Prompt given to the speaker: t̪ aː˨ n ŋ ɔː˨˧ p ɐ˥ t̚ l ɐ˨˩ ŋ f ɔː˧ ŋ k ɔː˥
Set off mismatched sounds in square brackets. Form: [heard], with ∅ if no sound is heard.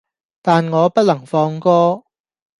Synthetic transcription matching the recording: t̪ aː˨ n ŋ ɔː˨˧ p ɐ˥ t̚ l ɐ˨˩ ŋ f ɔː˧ ŋ k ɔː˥